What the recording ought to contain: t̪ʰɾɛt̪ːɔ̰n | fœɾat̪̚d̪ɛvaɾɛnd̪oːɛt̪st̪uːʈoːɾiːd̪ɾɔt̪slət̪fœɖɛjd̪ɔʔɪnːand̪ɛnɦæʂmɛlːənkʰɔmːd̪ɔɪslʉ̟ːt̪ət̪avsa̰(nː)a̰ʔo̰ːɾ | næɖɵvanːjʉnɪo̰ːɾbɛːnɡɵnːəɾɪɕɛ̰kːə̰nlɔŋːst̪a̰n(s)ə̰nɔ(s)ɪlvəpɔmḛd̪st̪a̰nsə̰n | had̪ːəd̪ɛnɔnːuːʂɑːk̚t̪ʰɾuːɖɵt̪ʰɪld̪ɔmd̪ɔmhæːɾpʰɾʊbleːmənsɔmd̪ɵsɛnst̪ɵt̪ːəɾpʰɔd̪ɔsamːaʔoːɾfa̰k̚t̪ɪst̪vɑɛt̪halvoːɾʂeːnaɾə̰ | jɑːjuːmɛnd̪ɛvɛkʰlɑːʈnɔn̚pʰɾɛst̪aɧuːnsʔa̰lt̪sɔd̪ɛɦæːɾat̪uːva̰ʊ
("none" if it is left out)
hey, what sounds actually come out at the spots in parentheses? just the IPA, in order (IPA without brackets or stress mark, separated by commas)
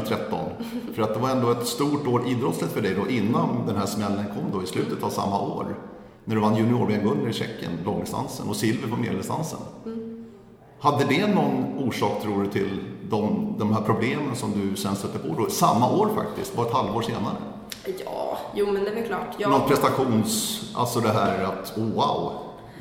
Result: mː, s, s